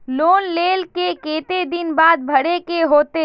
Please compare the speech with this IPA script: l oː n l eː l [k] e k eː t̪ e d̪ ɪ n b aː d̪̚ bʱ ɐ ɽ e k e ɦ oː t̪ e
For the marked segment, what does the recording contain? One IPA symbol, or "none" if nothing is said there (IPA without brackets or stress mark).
k